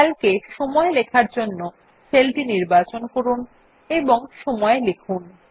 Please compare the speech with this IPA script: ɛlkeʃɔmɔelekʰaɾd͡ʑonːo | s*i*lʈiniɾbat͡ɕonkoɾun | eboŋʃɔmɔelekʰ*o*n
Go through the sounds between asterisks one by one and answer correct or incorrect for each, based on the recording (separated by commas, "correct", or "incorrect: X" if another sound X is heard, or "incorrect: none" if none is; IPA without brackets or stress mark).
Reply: incorrect: e, incorrect: u